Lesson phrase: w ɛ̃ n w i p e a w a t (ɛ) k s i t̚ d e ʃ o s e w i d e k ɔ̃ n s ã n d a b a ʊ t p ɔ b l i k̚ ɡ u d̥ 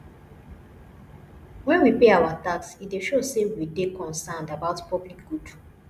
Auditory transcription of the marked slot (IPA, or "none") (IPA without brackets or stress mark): a